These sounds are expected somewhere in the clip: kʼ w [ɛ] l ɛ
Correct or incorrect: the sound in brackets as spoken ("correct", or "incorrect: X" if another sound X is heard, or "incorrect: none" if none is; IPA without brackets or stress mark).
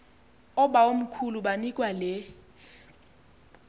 incorrect: a